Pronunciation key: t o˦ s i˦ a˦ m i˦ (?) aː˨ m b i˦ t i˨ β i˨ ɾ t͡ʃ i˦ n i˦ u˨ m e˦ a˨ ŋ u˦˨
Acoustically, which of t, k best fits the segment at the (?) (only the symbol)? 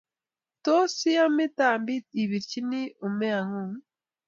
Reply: t